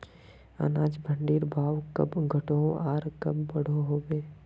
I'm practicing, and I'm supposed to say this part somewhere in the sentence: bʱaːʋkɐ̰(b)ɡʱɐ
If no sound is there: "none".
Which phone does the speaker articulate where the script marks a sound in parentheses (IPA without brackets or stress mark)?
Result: b